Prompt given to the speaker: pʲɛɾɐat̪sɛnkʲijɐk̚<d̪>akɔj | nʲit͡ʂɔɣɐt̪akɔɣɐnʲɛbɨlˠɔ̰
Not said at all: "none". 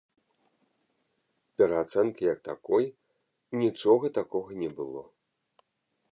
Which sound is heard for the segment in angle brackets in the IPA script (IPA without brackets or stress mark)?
t̪